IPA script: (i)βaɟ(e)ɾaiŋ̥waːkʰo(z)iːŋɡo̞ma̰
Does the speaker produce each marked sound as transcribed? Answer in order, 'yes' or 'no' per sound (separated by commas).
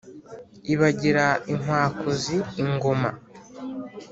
yes, no, yes